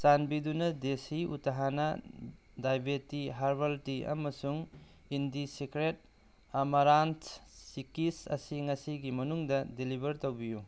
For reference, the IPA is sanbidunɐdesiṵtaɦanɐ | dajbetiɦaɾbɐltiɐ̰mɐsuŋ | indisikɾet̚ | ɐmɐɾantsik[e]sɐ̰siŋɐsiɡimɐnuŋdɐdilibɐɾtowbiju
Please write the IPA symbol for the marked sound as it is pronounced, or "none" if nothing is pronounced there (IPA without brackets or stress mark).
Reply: i